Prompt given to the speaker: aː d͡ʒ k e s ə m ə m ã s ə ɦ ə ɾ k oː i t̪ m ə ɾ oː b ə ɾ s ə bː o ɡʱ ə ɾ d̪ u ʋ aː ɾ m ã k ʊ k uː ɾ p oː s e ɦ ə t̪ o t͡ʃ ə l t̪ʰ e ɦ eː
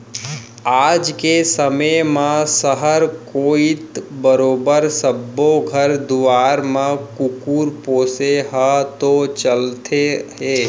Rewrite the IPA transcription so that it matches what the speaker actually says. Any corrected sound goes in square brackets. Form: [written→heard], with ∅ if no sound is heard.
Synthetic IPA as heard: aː d͡ʒ k e s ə m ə m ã s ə ɦ ə ɾ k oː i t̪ [m→b] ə ɾ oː b ə ɾ s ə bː o ɡʱ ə ɾ d̪ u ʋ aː ɾ m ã k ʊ k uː ɾ p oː s e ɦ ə t̪ o t͡ʃ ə l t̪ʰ e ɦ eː